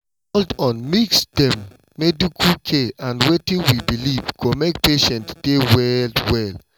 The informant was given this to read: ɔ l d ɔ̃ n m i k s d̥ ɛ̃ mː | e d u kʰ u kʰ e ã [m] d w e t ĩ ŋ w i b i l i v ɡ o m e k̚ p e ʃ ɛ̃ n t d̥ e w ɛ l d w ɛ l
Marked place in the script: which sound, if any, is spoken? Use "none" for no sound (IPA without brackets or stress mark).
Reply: n